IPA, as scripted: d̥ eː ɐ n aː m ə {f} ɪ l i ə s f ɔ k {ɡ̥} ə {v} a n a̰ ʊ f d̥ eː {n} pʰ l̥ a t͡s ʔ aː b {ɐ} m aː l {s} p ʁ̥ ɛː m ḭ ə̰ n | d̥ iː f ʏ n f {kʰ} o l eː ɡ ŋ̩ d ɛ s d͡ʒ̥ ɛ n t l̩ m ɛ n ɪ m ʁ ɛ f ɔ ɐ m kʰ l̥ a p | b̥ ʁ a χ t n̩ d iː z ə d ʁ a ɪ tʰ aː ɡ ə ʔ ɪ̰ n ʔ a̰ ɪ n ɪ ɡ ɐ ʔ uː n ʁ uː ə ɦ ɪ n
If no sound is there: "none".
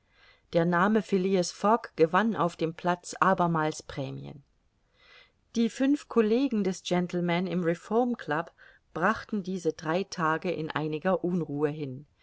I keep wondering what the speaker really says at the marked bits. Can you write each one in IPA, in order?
f, ɡ̥, v, m, ɐ, s, kʰ

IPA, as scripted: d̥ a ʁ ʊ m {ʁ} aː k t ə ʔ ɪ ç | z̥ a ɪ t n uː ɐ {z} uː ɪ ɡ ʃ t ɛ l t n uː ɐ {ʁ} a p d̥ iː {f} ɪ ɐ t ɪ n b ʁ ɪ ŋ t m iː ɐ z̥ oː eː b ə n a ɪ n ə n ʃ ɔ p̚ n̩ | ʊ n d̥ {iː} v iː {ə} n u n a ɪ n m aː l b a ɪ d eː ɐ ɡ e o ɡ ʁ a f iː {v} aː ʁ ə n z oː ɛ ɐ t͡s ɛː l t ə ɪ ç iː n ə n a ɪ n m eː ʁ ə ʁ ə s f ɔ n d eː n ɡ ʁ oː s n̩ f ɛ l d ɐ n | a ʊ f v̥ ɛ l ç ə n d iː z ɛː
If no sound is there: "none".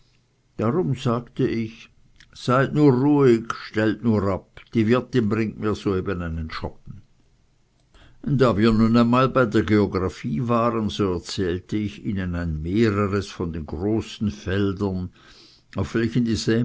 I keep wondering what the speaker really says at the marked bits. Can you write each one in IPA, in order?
z, ʁ, ʁ, v, aː, ɐ, v

